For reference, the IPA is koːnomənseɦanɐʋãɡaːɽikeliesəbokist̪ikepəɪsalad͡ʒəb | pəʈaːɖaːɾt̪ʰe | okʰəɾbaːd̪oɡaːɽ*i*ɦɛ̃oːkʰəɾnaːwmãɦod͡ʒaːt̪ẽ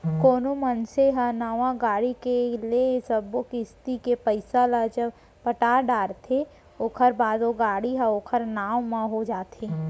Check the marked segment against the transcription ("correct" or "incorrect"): correct